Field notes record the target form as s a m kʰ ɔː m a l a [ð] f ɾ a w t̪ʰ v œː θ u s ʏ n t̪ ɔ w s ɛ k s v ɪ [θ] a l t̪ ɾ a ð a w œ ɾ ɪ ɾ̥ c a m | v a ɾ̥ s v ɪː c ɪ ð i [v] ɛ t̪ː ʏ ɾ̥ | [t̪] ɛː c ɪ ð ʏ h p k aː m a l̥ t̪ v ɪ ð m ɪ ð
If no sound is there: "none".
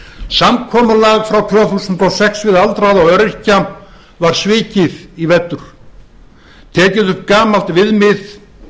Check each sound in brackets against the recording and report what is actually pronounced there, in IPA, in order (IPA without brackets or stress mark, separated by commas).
ɣ, ð, v, t̪ʰ